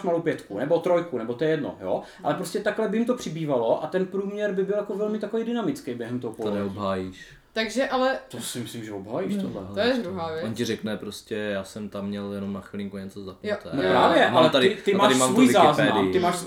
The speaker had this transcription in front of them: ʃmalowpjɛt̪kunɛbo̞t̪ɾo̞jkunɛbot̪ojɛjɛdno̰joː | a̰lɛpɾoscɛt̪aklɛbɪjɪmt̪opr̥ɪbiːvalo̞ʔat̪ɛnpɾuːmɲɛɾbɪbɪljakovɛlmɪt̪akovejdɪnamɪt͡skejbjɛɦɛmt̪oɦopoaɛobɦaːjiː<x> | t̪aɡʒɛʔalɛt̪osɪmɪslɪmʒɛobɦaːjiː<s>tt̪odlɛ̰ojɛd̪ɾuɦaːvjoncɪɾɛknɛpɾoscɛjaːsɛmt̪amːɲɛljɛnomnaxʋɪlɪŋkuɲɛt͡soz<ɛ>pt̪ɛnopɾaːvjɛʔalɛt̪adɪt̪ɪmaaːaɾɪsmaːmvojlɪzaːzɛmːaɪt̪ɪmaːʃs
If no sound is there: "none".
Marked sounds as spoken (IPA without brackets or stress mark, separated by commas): ʃ, ʃ, a